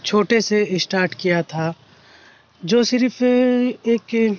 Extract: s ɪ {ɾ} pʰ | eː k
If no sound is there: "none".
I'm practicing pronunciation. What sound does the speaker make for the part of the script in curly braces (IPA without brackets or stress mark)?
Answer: ɾ